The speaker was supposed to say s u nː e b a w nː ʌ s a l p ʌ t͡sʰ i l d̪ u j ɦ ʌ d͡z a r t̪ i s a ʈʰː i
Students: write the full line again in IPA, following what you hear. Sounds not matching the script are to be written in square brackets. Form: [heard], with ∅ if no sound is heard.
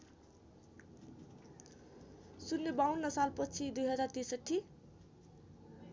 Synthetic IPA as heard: s u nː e b a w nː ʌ s a l p ʌ t͡sʰ i [∅] d̪ u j ɦ ʌ d͡z a r t̪ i s [ʌ] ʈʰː i